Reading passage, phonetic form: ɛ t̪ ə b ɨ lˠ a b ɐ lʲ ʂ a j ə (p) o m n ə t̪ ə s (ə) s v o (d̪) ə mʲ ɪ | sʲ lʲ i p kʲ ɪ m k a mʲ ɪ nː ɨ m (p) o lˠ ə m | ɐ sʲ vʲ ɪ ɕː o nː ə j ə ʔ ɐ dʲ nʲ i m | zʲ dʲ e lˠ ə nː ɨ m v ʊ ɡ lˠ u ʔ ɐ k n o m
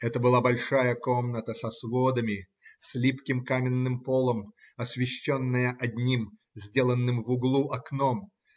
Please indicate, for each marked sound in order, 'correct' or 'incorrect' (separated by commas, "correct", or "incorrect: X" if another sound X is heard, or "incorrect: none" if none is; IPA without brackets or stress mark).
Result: incorrect: k, incorrect: ɐ, correct, correct